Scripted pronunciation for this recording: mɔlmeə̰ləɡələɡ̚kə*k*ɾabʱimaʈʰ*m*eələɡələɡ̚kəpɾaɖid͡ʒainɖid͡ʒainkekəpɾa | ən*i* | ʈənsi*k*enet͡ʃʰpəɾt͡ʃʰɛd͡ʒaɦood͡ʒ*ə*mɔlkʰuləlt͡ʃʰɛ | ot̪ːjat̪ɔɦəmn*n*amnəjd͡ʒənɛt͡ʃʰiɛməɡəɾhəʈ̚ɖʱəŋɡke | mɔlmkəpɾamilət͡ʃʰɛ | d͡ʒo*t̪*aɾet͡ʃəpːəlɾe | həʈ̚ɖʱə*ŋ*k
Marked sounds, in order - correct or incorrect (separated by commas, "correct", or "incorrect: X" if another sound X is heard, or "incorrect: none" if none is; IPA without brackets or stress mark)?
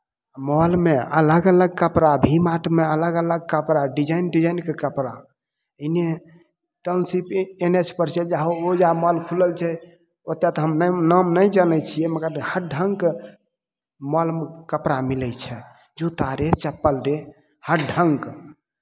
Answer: incorrect: p, correct, incorrect: e, incorrect: p, incorrect: a, correct, correct, correct